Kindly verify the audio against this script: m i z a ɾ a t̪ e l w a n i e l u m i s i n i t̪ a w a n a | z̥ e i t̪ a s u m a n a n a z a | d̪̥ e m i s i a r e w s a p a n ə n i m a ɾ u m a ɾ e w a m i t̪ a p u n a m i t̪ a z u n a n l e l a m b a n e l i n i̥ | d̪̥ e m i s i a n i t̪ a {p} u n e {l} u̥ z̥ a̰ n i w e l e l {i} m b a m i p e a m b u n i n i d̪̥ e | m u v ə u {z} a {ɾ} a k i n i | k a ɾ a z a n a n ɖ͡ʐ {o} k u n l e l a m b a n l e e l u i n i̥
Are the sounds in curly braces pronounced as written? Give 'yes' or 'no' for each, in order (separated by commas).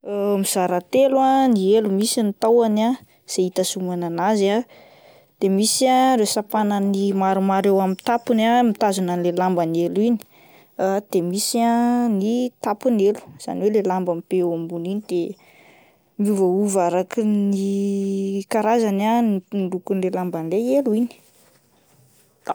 yes, yes, no, no, yes, no